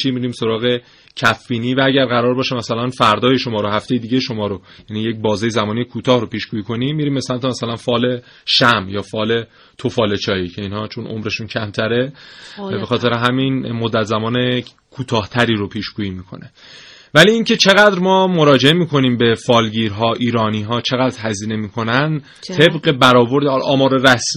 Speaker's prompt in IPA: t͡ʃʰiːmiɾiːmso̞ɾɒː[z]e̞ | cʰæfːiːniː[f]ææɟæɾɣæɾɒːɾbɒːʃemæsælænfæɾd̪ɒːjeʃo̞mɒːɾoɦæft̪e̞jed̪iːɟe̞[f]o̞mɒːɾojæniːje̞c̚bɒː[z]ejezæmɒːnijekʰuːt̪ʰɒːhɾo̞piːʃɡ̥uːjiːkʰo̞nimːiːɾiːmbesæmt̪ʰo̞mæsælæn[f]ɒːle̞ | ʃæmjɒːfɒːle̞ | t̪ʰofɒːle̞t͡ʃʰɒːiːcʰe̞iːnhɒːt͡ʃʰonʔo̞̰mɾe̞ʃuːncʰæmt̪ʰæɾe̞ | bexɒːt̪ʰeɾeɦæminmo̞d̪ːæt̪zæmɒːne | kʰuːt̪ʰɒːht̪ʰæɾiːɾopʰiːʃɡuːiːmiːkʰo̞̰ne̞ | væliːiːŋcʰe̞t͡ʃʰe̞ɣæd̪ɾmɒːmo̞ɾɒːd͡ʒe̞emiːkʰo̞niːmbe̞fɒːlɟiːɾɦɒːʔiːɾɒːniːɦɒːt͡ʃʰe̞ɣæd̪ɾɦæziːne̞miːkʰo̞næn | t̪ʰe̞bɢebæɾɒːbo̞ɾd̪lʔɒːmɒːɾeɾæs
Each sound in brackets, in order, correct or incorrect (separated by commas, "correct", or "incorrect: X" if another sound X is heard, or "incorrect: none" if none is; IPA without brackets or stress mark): incorrect: ɣ, incorrect: v, incorrect: ʃ, correct, correct